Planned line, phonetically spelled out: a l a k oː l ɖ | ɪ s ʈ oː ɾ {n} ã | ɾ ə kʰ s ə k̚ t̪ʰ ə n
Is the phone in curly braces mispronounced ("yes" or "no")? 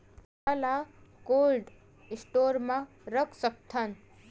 yes